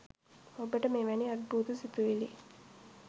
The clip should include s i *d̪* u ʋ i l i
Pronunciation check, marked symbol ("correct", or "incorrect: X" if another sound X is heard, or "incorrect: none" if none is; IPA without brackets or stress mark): incorrect: t̪